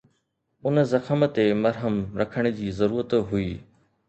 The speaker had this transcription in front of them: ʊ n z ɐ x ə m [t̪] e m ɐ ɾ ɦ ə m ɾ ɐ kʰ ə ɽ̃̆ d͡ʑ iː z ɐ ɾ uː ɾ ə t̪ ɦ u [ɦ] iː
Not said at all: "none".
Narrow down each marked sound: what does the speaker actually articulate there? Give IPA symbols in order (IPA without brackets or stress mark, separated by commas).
t̪, none